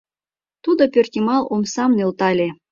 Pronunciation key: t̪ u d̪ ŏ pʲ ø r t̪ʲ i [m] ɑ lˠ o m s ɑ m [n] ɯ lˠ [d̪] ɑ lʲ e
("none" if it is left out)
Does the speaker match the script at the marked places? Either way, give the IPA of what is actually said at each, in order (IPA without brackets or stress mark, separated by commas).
m, n, t̪